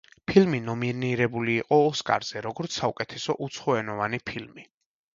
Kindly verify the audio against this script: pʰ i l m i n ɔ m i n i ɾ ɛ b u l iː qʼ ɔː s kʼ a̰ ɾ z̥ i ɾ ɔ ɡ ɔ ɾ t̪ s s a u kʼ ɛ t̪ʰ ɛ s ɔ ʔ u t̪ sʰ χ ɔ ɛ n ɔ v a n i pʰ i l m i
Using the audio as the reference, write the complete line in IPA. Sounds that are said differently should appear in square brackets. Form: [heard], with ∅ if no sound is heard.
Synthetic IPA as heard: pʰ i l m i n ɔ m i n i ɾ ɛ b u l iː qʼ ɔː s kʼ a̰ ɾ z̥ [ɛ] ɾ ɔ ɡ ɔ ɾ t̪ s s a u kʼ ɛ t̪ʰ ɛ s ɔ ʔ u t̪ sʰ χ ɔ ɛ n ɔ v a n i pʰ i l m i